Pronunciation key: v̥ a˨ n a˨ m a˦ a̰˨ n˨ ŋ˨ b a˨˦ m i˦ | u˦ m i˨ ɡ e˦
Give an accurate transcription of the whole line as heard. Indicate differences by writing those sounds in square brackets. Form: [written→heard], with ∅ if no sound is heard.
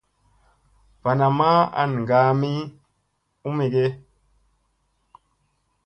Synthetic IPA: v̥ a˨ n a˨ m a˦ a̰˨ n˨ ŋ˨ [b→ɡ] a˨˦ m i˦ | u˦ m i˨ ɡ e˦

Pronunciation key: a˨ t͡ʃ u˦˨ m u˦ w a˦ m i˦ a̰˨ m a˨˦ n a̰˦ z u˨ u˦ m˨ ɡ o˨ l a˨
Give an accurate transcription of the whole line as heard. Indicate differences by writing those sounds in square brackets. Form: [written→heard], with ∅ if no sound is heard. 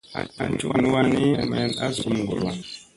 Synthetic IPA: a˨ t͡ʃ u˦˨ [m→n] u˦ w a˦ [m→n] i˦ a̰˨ m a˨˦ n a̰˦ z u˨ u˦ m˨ ɡ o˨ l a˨

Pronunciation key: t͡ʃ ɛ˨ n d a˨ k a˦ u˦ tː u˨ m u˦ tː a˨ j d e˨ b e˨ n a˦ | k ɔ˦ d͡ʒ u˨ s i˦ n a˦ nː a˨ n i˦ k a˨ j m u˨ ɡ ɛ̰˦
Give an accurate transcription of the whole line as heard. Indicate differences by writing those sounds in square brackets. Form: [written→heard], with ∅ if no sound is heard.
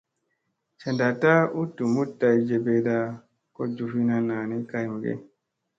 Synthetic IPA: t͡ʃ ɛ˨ n d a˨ [k→t] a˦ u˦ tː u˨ m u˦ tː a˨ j [d→d͡ʒ] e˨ b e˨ [n→d] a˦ | k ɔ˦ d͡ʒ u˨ [s→f] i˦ n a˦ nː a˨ n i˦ k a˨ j m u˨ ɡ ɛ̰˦

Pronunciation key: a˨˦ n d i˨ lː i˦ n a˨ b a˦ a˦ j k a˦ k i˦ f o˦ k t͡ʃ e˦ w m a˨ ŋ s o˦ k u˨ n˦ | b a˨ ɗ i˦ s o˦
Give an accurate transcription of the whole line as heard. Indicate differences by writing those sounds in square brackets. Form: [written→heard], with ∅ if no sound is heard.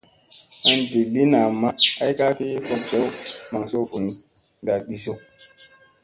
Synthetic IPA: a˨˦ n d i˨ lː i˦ n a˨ [b→m] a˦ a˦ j k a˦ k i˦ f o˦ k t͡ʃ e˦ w m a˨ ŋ s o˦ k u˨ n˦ | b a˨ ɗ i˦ s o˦

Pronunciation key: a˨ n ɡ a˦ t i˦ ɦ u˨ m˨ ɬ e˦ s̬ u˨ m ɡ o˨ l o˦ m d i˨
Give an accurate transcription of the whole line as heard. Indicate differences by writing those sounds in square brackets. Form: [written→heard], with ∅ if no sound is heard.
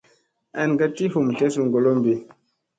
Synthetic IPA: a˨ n ɡ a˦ t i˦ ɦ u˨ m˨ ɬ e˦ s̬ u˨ [m→ŋ] ɡ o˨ l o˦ m [d→b] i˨

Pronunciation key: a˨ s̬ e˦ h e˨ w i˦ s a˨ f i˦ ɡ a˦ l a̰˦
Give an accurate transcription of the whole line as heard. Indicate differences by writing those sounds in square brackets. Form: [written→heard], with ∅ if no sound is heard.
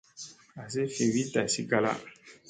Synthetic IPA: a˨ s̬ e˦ [h→f] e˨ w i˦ [s→t] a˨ [f→s] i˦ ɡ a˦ l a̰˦

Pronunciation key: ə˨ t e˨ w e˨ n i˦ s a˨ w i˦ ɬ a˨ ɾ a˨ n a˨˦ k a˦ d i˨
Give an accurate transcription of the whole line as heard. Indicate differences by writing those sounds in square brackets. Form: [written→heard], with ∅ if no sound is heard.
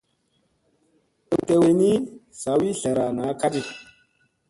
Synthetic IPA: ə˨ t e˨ w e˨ n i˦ s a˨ w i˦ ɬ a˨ ɾ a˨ n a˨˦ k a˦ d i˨

